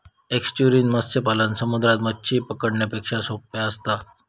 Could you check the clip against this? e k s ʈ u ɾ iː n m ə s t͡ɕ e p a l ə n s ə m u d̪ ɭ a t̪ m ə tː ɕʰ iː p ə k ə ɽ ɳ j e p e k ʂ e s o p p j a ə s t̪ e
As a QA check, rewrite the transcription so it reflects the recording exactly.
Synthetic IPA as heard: e k s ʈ u ɾ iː n m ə s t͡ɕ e p a l ə n s ə m u d̪ ɾ a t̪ m ə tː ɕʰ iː p ə k ə ɽ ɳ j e p e k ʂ a s o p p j a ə s t̪ a